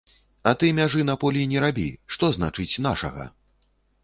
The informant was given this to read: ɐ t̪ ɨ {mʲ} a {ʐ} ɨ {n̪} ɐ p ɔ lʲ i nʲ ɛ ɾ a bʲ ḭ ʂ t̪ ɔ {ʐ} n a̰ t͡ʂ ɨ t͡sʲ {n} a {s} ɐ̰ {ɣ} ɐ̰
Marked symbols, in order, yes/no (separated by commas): yes, yes, yes, no, yes, no, yes